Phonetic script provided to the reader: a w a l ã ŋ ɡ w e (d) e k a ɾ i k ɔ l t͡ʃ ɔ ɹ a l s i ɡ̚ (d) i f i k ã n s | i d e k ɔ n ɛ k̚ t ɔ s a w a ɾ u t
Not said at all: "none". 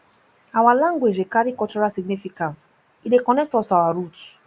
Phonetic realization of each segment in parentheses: d͡ʒ, n

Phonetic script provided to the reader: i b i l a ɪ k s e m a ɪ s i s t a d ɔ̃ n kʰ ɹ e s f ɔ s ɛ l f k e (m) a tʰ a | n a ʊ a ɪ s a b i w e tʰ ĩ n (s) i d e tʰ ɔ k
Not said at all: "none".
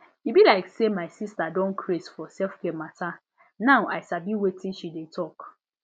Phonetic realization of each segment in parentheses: m, ʃ

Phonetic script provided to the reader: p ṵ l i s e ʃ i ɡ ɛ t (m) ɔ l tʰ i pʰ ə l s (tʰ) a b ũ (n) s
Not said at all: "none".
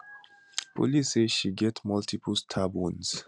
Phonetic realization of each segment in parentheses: m, tʰ, n

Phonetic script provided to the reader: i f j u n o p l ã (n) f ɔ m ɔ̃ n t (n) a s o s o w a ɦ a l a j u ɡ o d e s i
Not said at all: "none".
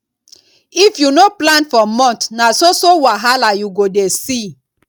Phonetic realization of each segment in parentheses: n, n

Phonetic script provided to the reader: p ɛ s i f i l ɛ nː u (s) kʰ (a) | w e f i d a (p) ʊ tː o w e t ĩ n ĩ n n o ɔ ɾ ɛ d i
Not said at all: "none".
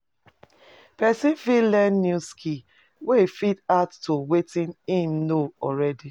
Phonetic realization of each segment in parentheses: s, i, none

